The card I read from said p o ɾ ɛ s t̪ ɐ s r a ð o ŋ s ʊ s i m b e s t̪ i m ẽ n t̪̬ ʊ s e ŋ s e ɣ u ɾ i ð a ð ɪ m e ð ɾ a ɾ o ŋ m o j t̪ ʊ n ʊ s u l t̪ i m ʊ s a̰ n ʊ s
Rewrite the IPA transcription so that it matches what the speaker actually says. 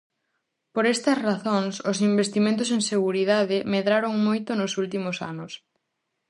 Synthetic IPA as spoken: p o ɾ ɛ s t̪ ɐ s r a θ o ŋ s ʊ s i m b e s t̪ i m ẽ n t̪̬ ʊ s e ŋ s e ɣ u ɾ i ð a ð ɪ m e ð ɾ a ɾ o ŋ m o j t̪ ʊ n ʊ s u l t̪ i m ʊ s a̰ n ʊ s